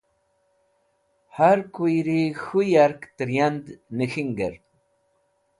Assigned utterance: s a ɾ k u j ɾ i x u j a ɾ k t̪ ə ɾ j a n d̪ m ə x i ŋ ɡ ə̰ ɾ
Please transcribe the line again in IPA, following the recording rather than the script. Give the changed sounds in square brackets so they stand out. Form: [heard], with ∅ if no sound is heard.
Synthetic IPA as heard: [h] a ɾ k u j ɾ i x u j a ɾ k t̪ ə ɾ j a n d̪ [n] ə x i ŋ ɡ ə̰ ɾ